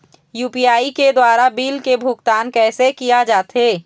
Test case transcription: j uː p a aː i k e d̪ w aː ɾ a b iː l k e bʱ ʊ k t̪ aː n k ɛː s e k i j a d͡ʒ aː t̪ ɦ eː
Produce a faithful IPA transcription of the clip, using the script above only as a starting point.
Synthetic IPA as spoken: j uː p i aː i k e d̪ w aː ɾ a b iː l k e bʱ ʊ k t̪ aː n k ɛː s e k i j a d͡ʒ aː t̪ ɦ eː